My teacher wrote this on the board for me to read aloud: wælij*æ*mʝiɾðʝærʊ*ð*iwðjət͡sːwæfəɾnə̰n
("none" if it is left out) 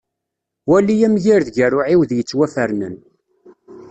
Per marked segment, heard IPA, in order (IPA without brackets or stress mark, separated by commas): æ, ʕ